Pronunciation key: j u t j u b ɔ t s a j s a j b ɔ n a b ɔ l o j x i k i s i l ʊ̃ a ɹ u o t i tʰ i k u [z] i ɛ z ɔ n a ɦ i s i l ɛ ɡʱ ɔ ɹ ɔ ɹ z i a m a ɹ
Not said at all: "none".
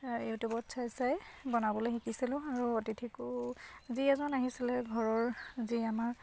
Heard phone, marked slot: z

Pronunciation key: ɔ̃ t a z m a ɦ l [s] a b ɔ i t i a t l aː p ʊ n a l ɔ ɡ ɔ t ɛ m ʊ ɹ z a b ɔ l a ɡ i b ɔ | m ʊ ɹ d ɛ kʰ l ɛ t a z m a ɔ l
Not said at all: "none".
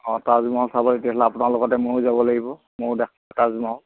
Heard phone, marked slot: s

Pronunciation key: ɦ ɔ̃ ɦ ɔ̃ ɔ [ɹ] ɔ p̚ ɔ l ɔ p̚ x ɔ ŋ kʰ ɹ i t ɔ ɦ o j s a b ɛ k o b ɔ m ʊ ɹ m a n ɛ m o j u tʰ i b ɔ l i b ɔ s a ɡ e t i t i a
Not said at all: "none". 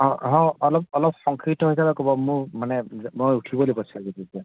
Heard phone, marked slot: l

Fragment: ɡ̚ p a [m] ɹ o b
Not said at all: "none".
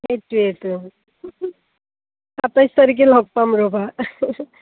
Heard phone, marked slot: m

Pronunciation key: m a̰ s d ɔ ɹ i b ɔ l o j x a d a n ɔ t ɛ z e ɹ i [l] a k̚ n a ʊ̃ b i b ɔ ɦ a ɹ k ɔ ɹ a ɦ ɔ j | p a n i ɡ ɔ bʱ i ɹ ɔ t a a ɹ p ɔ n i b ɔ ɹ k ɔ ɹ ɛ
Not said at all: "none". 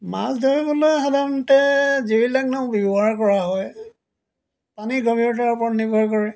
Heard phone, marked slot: l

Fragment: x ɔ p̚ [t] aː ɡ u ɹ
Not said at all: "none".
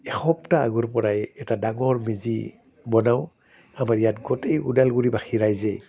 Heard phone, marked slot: t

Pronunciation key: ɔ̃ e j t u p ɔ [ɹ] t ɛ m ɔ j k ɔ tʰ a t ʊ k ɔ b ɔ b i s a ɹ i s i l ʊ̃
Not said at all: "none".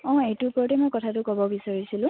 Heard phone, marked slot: ɹ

